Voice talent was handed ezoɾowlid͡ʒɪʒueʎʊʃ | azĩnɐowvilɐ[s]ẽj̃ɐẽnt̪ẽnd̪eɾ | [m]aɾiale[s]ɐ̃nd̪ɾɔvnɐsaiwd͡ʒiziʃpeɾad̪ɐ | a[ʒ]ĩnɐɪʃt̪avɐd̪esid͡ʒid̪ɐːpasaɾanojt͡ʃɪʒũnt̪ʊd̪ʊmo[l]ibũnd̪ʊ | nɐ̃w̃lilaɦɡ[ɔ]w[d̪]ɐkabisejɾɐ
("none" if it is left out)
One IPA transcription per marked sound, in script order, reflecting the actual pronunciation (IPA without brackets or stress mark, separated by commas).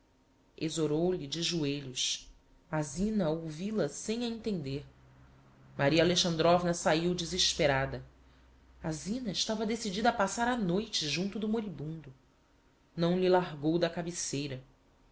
s, m, ʃ, z, ɾ, o, d̪